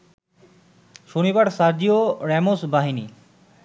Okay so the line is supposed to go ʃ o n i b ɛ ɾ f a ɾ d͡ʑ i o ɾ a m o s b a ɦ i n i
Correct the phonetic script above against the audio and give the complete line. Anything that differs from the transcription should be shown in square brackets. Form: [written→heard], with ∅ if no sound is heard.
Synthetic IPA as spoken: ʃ o n i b [ɛ→a] ɾ [f→s] a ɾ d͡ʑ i o ɾ [a→ɛ] m o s b a ɦ i n i